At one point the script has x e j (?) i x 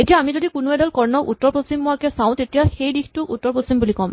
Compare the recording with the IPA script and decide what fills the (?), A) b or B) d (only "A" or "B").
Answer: B